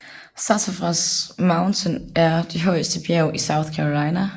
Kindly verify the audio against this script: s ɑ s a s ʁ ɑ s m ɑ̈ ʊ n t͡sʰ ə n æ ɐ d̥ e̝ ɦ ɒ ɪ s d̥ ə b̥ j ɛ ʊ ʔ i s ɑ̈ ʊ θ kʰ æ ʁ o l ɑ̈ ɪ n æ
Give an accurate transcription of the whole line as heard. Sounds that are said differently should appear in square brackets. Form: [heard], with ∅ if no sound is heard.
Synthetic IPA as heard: s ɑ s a [f] ʁ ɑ s m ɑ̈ ʊ n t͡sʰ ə n æ ɐ d̥ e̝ ɦ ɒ ɪ s d̥ ə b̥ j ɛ ʊ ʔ i s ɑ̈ ʊ θ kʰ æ ʁ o l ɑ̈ ɪ n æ

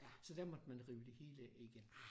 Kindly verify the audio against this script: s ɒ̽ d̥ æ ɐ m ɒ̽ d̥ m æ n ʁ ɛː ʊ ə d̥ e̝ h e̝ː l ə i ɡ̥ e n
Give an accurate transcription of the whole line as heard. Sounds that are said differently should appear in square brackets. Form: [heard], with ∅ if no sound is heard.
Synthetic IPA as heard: s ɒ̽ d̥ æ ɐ m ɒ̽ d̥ m æ n ʁ [iː] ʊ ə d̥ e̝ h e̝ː l ə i ɡ̥ e n

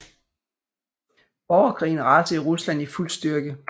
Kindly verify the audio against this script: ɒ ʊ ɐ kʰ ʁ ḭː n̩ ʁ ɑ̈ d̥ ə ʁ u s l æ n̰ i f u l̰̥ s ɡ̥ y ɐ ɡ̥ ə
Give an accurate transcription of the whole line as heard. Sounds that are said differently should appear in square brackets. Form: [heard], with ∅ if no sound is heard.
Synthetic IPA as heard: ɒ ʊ ɐ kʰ ʁ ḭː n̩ ʁ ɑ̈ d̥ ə ʁ u s l æ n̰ i f u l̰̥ s [d̥] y ɐ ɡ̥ ə

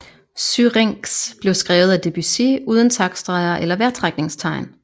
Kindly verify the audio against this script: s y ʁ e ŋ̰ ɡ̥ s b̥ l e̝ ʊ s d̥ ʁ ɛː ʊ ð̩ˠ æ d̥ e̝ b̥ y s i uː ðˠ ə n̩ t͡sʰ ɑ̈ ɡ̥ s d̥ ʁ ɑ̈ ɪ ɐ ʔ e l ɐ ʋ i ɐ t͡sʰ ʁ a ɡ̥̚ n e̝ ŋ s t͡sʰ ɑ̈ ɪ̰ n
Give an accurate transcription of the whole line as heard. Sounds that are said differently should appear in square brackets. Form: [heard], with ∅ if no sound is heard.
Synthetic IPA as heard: s y ʁ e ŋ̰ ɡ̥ s b̥ l e̝ ʊ s [ɡ̥] ʁ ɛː ʊ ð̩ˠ æ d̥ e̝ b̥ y s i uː ðˠ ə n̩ t͡sʰ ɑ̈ ɡ̥ s d̥ ʁ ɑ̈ ɪ ɐ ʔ e l ɐ ʋ [æ] ɐ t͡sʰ ʁ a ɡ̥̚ n e̝ ŋ s t͡sʰ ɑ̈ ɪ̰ n

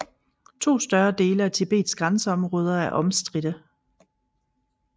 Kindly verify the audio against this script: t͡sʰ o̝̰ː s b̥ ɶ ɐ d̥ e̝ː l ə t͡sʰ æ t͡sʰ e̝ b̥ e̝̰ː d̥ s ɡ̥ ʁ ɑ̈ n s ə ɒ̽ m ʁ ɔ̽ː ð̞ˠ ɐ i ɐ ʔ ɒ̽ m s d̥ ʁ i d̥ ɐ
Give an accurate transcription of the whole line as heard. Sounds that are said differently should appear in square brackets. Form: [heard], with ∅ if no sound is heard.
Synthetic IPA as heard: t͡sʰ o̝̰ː s [d̥] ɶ ɐ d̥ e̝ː l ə [∅] æ t͡sʰ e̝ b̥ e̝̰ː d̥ s ɡ̥ ʁ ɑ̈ n s ə ɒ̽ m ʁ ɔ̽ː ð̞ˠ ɐ [æ] ɐ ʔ ɒ̽ m s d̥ ʁ i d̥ [ə]

